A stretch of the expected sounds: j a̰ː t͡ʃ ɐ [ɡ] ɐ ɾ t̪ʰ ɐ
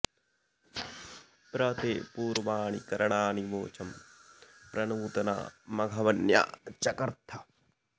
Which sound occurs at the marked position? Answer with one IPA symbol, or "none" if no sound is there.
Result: k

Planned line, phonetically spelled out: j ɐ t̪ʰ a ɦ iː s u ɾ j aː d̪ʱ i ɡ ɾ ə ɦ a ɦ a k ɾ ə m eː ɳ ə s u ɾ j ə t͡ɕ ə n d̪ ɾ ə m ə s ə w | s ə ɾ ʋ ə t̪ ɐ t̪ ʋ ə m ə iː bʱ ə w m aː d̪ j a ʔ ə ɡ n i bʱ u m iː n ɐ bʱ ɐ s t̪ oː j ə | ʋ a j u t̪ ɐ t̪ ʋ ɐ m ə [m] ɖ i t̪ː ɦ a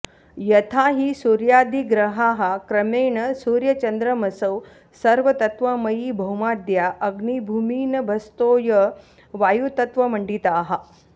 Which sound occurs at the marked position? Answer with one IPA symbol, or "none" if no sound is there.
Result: ɳ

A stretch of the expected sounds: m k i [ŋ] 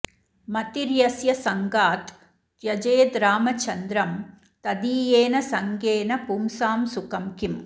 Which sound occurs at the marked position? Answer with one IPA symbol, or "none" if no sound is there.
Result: m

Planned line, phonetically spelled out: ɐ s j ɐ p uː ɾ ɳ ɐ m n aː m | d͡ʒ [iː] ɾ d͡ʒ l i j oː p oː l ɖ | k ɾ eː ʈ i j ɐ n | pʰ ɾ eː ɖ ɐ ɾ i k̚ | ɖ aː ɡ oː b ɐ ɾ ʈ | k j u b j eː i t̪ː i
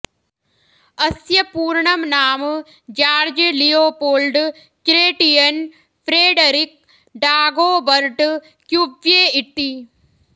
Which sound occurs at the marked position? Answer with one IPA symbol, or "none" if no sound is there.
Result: aː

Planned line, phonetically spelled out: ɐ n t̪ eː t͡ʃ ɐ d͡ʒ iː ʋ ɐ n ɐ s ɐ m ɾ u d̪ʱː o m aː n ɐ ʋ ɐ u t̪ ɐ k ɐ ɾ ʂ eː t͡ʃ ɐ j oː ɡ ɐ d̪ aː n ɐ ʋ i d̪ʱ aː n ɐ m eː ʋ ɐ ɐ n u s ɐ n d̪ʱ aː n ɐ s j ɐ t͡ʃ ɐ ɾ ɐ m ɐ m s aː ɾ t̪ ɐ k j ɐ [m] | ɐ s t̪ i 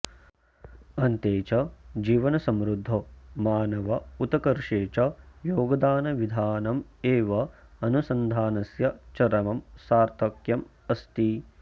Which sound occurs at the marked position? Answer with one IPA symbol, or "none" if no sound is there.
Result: m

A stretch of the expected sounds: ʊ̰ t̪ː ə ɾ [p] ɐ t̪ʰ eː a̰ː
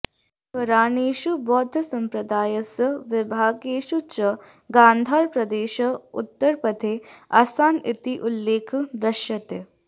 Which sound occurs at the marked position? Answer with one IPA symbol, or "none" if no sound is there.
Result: p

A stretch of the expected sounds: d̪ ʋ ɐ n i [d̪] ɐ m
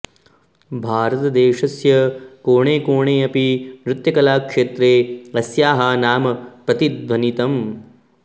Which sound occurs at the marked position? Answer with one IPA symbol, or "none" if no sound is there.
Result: t̪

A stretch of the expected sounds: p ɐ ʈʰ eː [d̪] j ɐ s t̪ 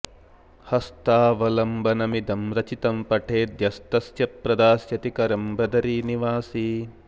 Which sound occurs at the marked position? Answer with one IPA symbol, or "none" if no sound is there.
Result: d̪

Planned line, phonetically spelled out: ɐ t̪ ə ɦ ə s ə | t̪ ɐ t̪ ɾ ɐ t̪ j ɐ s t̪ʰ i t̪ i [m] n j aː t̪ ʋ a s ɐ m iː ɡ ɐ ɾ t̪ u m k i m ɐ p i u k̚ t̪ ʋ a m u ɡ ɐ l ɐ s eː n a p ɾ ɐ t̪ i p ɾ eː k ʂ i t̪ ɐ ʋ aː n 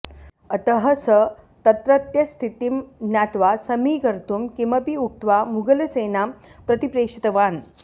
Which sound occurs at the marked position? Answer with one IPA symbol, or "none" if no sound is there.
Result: m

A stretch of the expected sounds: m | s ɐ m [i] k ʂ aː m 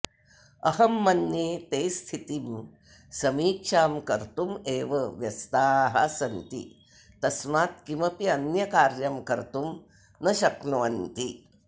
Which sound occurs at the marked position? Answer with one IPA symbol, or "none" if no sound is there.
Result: iː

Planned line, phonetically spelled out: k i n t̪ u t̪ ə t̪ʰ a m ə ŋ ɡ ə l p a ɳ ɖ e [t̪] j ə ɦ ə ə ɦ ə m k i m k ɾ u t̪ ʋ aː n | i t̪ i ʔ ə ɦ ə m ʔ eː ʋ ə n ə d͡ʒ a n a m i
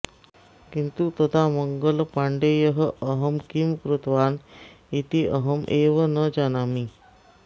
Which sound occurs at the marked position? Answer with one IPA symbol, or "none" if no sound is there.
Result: none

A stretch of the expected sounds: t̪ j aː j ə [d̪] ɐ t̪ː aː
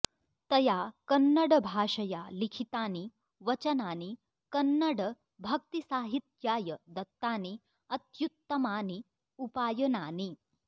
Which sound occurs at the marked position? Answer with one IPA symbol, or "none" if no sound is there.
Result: d̪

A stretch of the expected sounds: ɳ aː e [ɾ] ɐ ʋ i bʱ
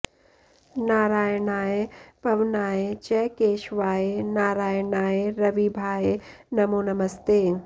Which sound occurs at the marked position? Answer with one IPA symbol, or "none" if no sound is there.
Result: ɾ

